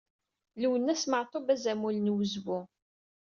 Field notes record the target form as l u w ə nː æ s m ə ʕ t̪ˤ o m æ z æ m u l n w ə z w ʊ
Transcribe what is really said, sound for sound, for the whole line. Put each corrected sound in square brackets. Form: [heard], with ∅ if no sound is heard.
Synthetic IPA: l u w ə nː æ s m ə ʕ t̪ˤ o [b] æ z æ m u l n w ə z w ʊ